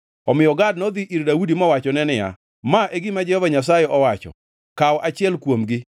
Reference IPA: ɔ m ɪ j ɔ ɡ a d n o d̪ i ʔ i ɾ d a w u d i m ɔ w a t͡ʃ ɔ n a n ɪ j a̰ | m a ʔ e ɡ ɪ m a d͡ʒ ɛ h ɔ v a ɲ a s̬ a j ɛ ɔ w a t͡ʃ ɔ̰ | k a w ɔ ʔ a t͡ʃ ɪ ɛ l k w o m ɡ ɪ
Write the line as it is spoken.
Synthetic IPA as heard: ɔ m ɪ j ɔ ɡ a d n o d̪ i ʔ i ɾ d a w u d i m ɔ w a t͡ʃ ɔ n ɛ n ɪ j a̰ | m a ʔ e ɡ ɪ m a d͡ʒ ɛ h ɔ v a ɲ a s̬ a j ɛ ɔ w a t͡ʃ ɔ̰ | k a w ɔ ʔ a t͡ʃ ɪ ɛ l k w o m ɡ ɪ